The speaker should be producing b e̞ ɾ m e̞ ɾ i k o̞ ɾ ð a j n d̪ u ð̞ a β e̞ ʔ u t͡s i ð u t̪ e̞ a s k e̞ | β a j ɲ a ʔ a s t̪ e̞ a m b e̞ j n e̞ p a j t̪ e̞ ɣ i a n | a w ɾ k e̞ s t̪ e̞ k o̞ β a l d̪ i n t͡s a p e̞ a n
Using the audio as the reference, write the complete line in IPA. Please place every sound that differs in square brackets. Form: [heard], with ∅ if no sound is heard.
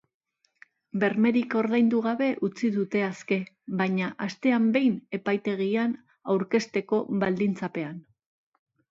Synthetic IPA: b e̞ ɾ m e̞ ɾ i k o̞ ɾ ð a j n d̪ u [ɣ̞] a β e̞ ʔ u t͡s i ð u t̪ e̞ a s k e̞ | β a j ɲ a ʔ a s t̪ e̞ a m b e̞ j n e̞ p a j t̪ e̞ ɣ i a n | a w ɾ k e̞ s t̪ e̞ k o̞ β a l d̪ i n t͡s a p e̞ a n